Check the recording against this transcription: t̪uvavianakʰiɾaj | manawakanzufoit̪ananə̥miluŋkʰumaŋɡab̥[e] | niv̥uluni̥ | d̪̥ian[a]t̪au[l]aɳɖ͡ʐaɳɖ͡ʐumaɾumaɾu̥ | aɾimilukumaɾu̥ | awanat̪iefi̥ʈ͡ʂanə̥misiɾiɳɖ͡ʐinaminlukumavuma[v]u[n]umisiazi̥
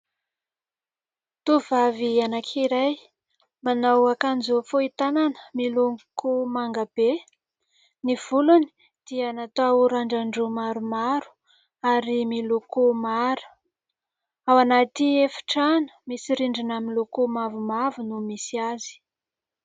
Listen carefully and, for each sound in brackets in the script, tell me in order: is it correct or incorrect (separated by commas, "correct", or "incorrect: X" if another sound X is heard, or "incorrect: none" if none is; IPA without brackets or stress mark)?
correct, correct, incorrect: ɾ, correct, correct